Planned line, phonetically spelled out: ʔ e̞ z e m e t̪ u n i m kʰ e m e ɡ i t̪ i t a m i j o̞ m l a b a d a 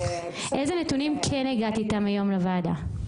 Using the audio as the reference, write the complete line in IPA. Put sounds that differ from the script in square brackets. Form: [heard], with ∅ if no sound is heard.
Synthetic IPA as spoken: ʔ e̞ z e [n] e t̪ u n i m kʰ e [n] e ɡ [a] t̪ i t a m [a] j o̞ m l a [v] a d a